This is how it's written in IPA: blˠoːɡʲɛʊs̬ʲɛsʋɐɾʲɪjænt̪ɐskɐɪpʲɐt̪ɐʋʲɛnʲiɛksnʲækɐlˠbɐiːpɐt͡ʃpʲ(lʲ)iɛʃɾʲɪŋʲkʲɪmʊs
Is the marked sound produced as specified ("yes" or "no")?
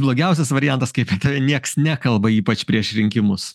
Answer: no